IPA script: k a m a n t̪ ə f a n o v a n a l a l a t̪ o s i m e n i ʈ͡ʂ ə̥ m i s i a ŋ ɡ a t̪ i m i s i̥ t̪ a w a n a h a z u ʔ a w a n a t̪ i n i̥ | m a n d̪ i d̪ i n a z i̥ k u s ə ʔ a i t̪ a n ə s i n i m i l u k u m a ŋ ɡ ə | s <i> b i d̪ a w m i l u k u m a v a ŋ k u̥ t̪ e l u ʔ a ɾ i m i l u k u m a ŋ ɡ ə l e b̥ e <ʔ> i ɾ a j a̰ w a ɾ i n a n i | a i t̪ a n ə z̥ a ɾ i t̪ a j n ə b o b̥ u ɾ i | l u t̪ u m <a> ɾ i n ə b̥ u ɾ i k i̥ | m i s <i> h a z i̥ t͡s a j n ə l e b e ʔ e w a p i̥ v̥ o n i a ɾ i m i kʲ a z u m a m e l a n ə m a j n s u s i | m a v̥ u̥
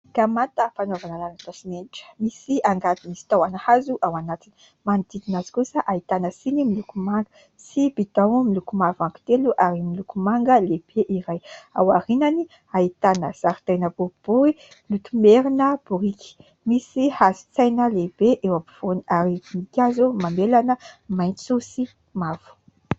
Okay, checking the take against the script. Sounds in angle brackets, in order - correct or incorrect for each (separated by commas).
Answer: correct, correct, incorrect, correct